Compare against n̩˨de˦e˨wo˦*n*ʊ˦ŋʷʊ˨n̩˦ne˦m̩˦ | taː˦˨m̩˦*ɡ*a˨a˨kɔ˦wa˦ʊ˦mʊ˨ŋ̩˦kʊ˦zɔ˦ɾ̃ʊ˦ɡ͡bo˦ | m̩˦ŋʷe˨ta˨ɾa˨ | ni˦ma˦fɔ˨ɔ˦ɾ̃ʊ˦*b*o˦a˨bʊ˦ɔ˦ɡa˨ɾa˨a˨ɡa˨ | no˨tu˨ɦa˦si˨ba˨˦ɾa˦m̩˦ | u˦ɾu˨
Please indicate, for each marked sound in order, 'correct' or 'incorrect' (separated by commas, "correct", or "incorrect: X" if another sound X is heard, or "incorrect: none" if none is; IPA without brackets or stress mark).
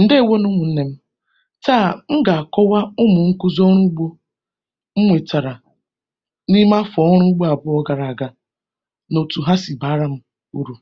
correct, correct, incorrect: ɡ͡b